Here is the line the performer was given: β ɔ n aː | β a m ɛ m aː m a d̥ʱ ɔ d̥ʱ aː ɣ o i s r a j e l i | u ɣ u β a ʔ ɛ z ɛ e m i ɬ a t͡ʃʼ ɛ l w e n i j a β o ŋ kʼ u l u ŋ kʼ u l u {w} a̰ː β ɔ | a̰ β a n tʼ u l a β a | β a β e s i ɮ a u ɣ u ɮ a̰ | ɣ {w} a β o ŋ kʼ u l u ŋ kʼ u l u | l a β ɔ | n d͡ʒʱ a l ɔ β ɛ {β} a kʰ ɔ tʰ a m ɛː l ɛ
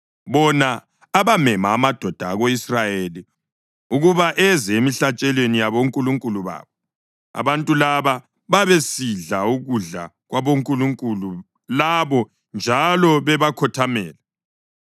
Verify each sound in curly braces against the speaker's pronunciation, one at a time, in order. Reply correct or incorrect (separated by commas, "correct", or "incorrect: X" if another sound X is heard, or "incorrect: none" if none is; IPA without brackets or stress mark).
incorrect: β, correct, correct